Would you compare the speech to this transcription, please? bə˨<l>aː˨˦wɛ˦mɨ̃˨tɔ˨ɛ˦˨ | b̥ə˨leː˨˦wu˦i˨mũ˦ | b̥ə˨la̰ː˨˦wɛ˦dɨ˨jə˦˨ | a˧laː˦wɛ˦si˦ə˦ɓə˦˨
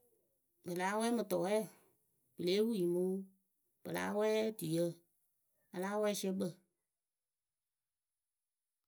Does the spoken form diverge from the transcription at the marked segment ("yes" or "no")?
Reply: no